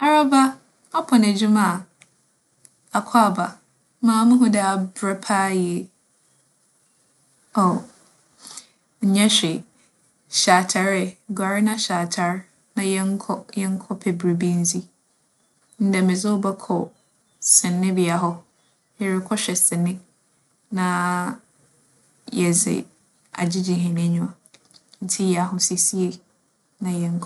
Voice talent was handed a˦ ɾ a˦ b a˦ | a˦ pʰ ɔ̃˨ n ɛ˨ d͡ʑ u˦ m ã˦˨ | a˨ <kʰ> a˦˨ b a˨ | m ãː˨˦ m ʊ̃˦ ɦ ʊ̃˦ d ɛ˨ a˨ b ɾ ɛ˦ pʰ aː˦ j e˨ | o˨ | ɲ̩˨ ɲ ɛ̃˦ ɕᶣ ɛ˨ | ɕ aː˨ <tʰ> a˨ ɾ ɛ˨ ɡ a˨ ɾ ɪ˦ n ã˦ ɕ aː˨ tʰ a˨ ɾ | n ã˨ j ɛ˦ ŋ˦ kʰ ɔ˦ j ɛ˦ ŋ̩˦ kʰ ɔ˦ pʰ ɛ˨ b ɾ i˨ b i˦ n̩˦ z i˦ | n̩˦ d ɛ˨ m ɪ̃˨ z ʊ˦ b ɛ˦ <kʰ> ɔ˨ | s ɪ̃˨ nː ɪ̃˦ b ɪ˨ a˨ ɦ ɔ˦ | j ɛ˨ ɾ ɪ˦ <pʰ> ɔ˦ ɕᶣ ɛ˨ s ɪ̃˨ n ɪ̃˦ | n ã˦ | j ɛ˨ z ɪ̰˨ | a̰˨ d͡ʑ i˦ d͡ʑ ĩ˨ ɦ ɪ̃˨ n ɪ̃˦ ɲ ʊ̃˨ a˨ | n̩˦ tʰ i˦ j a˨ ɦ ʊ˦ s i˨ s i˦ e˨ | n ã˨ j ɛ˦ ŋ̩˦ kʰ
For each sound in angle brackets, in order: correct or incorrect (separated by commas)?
correct, correct, correct, incorrect